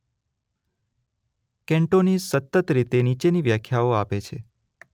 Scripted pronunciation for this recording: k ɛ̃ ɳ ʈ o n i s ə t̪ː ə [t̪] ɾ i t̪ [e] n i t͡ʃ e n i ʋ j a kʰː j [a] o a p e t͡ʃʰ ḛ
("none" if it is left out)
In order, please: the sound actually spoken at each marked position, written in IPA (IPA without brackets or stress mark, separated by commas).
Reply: t̪, e, a